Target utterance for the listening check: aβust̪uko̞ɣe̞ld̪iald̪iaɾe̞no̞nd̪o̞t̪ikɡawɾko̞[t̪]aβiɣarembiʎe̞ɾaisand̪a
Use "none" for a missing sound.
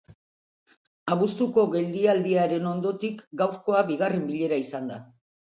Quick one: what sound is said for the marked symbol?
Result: none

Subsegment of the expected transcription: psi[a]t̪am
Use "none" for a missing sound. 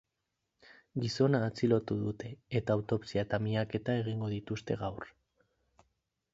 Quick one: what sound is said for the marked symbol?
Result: a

